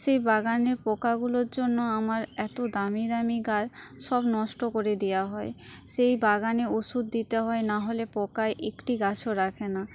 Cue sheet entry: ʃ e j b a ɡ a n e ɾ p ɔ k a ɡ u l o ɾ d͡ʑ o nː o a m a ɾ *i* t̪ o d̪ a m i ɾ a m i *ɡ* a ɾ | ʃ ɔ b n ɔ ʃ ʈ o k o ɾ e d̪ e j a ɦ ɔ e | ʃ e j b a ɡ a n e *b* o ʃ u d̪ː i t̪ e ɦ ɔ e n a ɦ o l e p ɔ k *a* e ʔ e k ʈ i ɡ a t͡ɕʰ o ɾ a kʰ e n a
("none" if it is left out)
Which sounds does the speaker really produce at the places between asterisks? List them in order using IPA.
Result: ɛ, ɡ, none, a

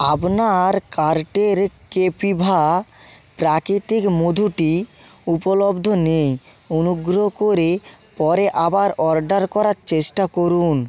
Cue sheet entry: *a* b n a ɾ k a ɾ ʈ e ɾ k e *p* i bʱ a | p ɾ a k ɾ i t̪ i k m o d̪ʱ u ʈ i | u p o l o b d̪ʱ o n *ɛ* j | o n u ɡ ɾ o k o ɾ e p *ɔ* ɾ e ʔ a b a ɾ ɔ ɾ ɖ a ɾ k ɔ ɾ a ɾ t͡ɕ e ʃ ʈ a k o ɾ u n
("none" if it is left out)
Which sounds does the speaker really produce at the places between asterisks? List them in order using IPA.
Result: a, p, e, ɔ

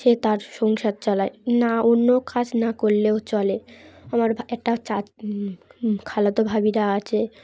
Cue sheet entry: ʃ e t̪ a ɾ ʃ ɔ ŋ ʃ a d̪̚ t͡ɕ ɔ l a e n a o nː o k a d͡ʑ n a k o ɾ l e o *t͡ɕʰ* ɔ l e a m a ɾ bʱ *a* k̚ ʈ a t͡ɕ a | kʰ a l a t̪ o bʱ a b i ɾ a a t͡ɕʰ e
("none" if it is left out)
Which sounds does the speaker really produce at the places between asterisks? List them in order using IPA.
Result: t͡ɕ, ɛ

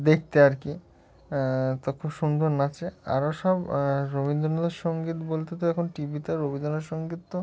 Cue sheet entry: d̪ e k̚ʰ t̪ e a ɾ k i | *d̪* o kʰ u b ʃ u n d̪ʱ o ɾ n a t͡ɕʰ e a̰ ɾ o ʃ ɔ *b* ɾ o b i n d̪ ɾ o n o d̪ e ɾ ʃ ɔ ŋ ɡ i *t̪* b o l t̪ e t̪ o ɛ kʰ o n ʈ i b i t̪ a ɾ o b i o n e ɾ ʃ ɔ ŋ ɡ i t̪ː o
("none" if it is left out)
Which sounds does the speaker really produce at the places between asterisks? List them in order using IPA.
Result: t̪, b, t̪

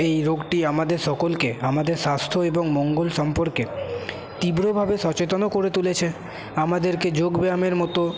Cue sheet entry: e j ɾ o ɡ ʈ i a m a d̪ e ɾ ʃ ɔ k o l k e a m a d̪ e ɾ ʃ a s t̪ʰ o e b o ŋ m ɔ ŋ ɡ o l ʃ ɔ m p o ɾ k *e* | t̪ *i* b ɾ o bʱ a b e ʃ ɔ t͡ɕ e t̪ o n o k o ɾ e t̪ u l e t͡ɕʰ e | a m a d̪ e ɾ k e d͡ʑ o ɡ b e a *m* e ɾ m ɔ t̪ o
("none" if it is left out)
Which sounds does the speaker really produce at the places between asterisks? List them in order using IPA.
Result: e, i, m

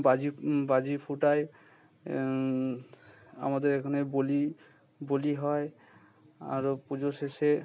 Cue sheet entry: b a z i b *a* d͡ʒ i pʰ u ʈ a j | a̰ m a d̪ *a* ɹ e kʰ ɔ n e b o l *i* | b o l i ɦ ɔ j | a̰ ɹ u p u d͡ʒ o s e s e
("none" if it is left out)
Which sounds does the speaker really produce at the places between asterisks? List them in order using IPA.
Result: a, e, i

